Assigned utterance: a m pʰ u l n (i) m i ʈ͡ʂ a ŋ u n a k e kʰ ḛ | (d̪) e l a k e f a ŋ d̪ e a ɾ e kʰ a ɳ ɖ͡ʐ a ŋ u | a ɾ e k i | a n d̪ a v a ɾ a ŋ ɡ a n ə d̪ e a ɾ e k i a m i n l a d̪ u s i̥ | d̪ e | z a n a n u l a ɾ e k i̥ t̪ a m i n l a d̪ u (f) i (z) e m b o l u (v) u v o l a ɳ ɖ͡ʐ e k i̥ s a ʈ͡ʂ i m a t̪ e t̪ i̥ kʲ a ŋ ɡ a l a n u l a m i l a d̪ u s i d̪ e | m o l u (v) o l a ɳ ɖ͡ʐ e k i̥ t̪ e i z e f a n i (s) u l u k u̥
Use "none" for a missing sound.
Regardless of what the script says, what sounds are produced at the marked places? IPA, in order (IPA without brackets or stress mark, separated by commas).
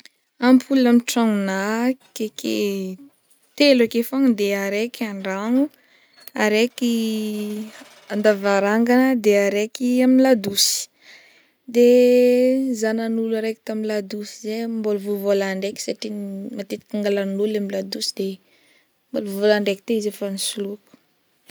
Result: a, t̪, s, z, v, v, s